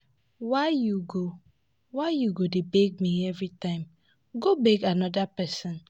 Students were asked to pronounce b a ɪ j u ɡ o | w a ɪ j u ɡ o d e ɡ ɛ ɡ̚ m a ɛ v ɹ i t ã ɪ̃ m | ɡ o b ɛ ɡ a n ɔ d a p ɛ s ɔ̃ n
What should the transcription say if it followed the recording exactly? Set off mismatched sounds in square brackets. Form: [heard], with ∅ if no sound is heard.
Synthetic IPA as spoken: [w] a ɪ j u ɡ o | w a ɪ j u ɡ o d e [b] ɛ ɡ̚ m [i] ɛ v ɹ i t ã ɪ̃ m | ɡ o b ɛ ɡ a n ɔ d a p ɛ s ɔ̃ n